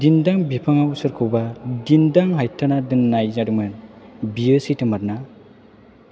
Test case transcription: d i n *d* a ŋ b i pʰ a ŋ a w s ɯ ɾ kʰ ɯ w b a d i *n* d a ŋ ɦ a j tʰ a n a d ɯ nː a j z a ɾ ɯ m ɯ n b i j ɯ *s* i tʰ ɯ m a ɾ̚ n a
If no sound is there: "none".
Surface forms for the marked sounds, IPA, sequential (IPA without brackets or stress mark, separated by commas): d, n, s